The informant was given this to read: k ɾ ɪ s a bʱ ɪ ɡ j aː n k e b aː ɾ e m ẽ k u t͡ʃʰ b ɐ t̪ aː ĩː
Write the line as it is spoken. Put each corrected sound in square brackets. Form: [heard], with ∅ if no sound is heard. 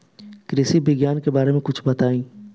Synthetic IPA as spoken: k ɾ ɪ s [i] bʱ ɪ ɡ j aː n k e b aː ɾ e m ẽ k [ʊ] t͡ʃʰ b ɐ t̪ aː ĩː